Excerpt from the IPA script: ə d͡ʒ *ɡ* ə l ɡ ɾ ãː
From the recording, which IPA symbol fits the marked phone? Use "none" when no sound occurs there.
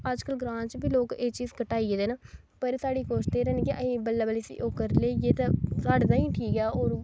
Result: k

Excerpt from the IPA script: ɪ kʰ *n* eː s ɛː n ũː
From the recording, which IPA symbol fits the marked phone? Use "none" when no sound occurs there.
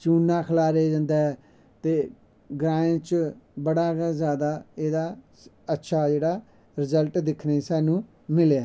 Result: n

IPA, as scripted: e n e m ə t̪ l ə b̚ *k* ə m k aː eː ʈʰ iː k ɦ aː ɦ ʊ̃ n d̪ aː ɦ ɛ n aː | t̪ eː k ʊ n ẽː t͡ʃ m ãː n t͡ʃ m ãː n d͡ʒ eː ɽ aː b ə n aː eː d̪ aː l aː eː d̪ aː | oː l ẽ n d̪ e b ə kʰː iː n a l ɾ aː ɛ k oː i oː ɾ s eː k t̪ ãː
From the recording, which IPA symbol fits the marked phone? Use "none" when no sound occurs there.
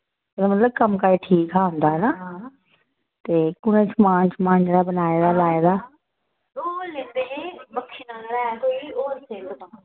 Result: k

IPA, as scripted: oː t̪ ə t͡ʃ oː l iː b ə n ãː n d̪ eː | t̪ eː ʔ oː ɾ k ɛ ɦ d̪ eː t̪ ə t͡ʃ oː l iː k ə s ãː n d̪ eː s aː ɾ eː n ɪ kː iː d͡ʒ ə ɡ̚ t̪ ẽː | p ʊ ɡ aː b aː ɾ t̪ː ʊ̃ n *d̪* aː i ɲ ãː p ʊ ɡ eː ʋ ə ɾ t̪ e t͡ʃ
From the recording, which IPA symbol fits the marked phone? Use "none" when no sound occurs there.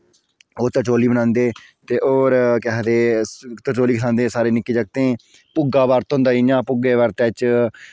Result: d̪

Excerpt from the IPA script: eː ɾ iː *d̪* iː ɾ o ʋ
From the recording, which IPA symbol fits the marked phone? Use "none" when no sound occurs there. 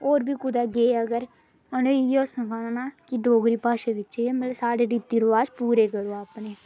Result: t̪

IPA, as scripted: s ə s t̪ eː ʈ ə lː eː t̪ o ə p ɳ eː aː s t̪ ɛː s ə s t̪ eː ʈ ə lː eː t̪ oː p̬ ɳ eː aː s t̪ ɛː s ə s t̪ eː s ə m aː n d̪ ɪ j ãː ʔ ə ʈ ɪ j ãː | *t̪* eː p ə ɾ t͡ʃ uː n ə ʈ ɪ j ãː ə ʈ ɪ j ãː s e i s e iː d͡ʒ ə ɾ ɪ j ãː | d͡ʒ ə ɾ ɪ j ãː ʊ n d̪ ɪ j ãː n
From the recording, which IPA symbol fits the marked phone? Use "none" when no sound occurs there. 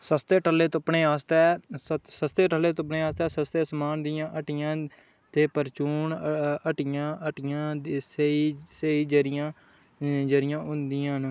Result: t̪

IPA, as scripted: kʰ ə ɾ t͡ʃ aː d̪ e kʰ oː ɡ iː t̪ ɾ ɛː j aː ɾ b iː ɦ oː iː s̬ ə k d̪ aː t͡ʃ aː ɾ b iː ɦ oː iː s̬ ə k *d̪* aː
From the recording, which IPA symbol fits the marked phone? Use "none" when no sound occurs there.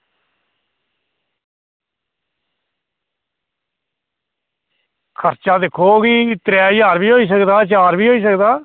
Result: d̪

